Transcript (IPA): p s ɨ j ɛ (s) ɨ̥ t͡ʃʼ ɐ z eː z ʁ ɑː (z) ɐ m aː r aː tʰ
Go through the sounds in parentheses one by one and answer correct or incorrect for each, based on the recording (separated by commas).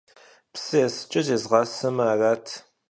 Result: correct, incorrect